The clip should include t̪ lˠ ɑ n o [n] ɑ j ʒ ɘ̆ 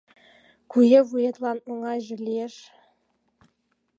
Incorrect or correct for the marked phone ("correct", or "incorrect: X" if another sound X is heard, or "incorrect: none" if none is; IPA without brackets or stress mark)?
incorrect: ŋ